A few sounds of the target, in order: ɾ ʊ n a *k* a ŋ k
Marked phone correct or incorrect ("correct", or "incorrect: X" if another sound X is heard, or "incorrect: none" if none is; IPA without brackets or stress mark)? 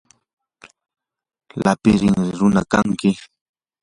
correct